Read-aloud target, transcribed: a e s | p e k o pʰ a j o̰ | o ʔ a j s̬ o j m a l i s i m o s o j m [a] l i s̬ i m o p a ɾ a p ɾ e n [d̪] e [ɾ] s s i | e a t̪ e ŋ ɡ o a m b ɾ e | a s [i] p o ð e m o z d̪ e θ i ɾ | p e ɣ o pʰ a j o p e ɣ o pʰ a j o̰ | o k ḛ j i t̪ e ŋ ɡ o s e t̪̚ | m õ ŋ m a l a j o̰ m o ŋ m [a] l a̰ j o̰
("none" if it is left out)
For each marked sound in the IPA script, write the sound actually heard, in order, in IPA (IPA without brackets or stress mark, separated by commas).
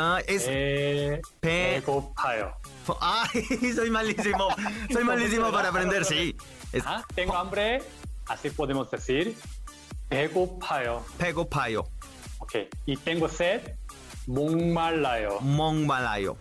a, d̪, ɾ, i, a